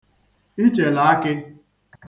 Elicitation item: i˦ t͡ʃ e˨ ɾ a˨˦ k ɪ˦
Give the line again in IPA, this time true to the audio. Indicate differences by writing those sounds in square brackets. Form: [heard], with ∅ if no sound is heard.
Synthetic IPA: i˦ t͡ʃ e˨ [l] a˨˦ k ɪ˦